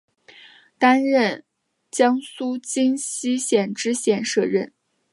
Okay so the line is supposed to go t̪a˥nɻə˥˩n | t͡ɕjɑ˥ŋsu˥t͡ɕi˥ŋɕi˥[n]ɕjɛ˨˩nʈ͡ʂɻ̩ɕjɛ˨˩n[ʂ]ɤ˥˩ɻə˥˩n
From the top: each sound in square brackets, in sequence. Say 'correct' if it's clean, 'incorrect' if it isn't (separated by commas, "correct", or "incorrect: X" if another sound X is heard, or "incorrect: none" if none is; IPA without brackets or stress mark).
incorrect: none, correct